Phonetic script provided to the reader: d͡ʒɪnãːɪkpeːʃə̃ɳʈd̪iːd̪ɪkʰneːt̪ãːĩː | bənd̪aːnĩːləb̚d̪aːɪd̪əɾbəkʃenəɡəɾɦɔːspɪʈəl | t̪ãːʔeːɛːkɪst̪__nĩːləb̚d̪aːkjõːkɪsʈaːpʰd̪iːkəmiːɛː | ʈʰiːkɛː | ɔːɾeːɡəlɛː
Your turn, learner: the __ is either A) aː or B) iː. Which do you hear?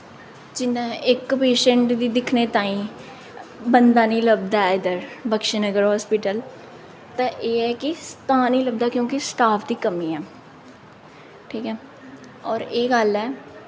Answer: A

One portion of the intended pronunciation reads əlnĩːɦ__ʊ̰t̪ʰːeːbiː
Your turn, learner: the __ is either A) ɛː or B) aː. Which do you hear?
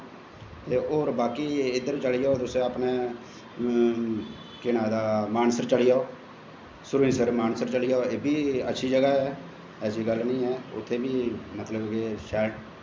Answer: A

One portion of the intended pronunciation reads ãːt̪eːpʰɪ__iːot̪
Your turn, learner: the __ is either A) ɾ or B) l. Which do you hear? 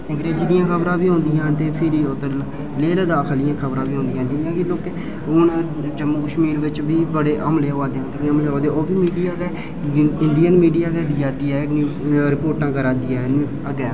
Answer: A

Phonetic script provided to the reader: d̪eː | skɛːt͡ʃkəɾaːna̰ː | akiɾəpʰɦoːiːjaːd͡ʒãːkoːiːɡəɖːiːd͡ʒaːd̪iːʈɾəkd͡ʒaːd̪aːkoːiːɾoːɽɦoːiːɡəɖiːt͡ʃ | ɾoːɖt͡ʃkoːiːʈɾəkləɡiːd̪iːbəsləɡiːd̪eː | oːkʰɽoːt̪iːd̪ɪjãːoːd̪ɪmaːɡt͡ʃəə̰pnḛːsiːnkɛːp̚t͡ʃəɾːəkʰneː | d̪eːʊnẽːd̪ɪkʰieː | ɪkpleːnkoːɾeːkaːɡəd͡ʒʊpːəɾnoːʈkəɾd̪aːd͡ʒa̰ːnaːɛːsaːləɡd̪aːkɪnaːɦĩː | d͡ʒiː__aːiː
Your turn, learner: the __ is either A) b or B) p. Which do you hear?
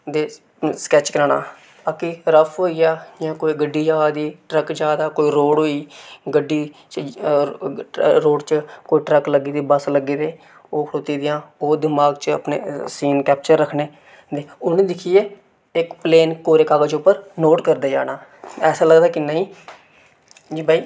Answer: A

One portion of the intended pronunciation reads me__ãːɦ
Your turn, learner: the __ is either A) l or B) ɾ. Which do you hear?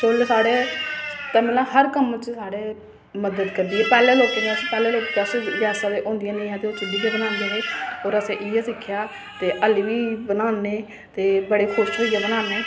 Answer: A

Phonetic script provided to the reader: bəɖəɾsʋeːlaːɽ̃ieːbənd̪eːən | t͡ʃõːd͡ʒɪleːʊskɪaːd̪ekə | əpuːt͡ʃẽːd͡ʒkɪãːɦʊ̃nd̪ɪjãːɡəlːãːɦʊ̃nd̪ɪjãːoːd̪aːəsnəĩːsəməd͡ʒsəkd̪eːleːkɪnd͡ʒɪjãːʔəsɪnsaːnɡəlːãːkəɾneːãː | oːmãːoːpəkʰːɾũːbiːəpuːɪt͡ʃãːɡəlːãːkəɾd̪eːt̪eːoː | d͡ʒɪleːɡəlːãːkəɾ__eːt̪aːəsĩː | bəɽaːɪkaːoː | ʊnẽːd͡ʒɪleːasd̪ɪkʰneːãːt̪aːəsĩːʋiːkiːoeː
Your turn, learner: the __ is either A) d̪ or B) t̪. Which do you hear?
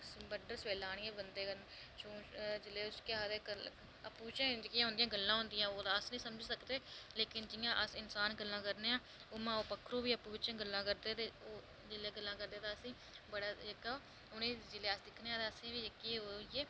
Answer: A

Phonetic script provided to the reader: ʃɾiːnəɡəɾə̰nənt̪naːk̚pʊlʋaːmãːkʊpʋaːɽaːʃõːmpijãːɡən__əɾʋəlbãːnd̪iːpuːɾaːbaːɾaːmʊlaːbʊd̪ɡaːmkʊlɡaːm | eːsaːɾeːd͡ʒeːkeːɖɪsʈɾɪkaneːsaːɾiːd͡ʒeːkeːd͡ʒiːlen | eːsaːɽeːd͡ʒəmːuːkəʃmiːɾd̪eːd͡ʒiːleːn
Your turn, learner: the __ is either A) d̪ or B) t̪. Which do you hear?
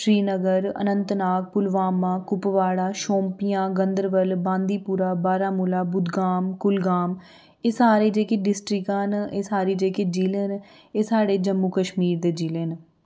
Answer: A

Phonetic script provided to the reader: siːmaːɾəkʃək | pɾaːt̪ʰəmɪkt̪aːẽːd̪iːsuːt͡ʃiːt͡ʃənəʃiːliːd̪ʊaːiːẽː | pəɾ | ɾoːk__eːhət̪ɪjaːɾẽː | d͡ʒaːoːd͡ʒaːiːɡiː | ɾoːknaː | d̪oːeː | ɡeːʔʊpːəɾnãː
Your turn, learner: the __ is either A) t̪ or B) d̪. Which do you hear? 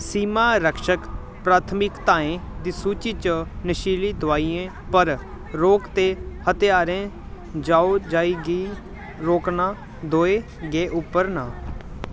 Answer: A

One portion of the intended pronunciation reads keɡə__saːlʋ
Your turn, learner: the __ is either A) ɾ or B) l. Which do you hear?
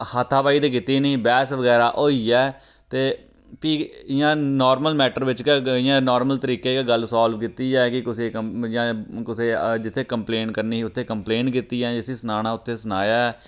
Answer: B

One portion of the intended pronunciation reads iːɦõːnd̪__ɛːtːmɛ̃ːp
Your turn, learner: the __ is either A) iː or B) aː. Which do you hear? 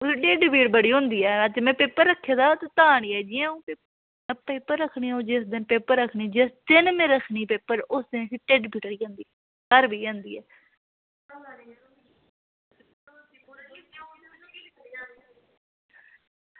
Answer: A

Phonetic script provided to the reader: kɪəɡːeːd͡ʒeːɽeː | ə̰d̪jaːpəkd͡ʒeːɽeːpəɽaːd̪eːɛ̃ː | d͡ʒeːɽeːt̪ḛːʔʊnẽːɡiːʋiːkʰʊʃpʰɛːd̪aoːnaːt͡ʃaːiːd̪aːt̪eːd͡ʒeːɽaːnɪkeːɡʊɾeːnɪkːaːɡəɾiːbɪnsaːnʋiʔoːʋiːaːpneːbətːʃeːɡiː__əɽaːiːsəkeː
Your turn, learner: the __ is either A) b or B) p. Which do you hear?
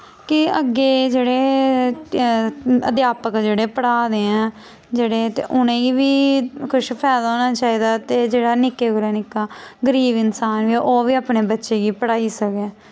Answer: B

